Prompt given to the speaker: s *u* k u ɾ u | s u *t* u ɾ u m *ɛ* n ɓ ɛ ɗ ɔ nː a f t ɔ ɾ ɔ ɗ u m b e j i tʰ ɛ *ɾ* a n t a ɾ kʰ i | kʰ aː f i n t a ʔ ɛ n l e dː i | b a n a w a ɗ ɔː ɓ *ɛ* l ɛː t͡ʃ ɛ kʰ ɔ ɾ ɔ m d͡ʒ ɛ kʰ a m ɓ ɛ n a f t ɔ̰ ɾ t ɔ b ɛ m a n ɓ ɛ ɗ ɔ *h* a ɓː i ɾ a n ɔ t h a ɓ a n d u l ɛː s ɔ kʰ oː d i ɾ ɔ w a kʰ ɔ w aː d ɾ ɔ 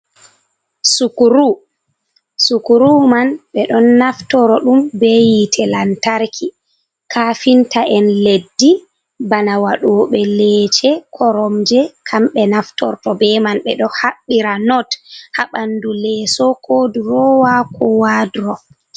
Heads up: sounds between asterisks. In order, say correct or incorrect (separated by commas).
correct, incorrect, incorrect, incorrect, correct, correct